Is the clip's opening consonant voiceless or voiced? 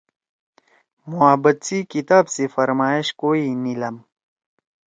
voiced